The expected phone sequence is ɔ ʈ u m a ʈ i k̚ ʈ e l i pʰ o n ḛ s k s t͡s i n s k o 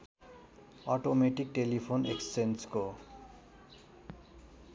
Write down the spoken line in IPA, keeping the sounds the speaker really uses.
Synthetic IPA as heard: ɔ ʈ o m e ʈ i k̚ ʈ e l i pʰ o n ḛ k s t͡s e n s k o